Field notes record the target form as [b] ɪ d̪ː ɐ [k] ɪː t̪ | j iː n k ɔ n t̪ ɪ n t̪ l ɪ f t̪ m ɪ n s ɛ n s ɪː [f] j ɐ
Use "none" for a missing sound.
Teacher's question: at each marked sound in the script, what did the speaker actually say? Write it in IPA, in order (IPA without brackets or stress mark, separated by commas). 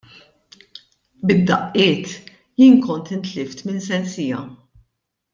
b, ʔ, none